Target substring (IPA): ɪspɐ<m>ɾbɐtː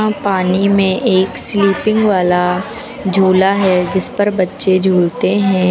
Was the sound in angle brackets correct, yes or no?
no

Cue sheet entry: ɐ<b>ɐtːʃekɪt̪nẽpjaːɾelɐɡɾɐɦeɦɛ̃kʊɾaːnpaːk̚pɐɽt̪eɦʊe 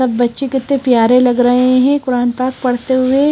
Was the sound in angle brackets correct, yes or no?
no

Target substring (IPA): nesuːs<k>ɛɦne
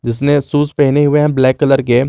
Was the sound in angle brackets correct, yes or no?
no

